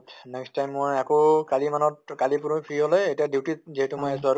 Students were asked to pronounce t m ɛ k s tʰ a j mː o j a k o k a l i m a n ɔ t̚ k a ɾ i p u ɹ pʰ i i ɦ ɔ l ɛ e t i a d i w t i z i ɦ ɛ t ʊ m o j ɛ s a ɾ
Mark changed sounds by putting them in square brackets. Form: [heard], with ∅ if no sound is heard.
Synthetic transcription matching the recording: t [n] ɛ k s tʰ a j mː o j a k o k a l i m a n ɔ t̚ k a [l] i p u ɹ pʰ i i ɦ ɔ l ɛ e t i a d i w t i z i ɦ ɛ t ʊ m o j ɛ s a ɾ